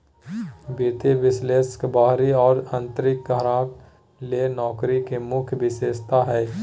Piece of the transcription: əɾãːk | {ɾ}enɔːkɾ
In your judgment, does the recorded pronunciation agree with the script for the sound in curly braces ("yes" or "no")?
no